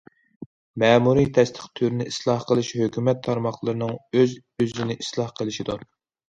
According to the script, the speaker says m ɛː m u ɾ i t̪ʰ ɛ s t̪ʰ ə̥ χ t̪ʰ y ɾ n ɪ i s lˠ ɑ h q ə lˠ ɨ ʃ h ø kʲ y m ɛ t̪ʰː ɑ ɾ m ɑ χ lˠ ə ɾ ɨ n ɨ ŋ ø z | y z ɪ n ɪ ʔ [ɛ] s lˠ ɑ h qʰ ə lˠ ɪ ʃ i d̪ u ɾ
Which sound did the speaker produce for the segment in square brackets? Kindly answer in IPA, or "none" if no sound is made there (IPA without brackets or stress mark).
i